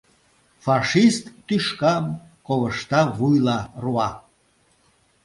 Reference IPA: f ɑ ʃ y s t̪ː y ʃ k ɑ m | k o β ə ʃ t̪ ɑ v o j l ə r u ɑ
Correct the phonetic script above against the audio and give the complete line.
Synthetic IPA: f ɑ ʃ i s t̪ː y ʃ k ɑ m | k o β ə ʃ t̪ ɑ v u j l ɑ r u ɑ